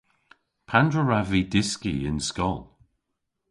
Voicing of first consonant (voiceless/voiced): voiceless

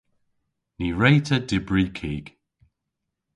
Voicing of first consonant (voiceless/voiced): voiced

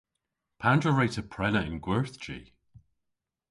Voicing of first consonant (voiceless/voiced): voiceless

